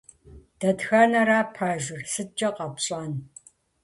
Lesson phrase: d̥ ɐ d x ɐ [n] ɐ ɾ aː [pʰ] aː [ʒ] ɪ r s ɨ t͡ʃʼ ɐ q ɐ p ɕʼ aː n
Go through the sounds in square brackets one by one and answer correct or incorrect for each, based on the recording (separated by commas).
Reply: correct, correct, correct